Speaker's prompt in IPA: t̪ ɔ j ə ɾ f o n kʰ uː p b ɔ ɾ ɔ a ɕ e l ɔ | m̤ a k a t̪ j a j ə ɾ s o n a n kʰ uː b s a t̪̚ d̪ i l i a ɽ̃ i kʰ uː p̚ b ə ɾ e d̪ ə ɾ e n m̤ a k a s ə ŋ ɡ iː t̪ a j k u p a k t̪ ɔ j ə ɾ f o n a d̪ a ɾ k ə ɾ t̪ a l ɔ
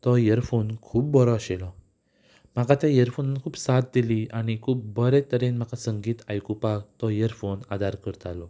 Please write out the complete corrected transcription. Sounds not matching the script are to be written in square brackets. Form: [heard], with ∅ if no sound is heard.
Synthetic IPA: t̪ ɔ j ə ɾ f o n kʰ uː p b ɔ ɾ ɔ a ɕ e l ɔ | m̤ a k a t̪ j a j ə ɾ [f] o n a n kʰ uː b s a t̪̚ d̪ i l i a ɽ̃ i kʰ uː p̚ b ə ɾ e [t̪] ə ɾ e n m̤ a k a s ə ŋ ɡ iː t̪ a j k u p a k t̪ ɔ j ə ɾ f o n a d̪ a ɾ k ə ɾ t̪ a l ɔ